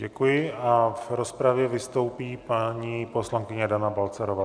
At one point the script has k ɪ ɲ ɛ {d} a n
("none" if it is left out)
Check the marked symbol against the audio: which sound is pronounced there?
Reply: d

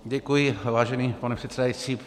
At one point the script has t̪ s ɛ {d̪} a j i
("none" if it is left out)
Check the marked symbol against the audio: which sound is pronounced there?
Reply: d̪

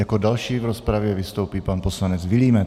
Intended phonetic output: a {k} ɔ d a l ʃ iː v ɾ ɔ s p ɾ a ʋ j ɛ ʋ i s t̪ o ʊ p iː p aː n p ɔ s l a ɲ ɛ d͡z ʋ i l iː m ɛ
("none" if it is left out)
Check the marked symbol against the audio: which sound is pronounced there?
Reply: k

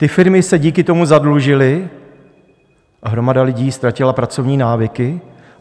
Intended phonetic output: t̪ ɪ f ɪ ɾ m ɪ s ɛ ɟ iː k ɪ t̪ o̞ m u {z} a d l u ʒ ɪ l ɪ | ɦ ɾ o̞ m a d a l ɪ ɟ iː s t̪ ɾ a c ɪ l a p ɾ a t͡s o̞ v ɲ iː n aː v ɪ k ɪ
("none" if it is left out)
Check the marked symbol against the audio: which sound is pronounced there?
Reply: z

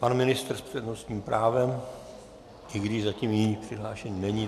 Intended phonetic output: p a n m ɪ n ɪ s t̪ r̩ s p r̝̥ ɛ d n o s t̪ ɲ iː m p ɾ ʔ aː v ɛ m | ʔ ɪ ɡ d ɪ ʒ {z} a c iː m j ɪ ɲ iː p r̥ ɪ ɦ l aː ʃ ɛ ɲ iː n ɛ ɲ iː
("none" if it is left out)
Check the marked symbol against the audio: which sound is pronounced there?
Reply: z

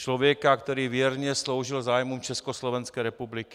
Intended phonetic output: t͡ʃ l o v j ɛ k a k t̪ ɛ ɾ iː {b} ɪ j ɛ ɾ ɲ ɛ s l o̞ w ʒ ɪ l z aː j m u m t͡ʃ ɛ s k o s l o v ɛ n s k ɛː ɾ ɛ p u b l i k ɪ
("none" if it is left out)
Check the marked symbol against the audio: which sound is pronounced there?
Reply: v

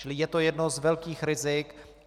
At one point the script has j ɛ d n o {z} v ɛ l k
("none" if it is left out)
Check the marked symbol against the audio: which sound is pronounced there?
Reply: z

